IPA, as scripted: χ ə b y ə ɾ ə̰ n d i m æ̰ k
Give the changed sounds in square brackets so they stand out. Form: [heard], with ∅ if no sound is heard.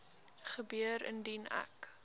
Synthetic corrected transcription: χ ə b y ə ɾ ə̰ n d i [n] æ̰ k